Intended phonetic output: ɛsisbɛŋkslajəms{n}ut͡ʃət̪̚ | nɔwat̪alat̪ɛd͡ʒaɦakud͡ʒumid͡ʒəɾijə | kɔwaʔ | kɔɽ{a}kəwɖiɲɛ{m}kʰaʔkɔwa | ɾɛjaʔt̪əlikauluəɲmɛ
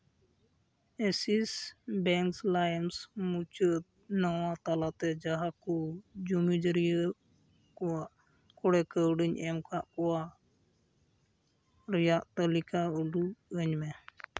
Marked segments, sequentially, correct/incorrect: incorrect: m, incorrect: ɛ, correct

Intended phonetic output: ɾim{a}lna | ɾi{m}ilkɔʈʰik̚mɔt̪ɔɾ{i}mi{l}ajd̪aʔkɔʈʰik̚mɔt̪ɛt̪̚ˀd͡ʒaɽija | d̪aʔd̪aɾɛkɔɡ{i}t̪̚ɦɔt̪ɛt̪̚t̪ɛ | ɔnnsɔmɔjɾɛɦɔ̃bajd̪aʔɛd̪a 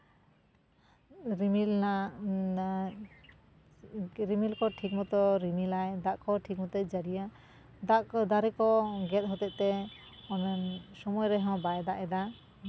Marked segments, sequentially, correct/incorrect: incorrect: i, correct, correct, correct, incorrect: ɛ

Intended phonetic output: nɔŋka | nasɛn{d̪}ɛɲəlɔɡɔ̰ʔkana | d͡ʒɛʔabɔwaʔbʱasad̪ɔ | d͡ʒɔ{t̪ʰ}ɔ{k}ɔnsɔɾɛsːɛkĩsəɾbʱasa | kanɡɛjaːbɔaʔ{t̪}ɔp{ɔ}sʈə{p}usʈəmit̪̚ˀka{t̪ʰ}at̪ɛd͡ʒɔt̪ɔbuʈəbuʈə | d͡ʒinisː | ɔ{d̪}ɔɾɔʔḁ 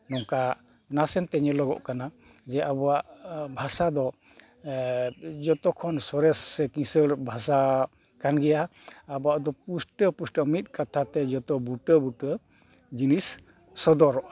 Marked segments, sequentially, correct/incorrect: incorrect: t̪, incorrect: t̪, incorrect: kʰ, incorrect: d̪, incorrect: u, correct, correct, correct

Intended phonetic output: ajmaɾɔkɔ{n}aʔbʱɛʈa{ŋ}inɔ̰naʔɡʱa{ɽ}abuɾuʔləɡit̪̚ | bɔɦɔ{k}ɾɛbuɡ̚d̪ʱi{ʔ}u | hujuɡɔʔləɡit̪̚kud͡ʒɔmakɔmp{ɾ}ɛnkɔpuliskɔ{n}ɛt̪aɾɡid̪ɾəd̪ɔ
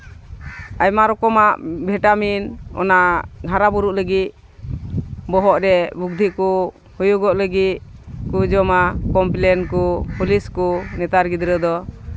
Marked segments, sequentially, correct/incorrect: incorrect: m, incorrect: m, incorrect: ɾ, incorrect: ʔ, incorrect: k, incorrect: l, correct

